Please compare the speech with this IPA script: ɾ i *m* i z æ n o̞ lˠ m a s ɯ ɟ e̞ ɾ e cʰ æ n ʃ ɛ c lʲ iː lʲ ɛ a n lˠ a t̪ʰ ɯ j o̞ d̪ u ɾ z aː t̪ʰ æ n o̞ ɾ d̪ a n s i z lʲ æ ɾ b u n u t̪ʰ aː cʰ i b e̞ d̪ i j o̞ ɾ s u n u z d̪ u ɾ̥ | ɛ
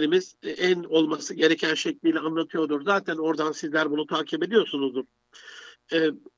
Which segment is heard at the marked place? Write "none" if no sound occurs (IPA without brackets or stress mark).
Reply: m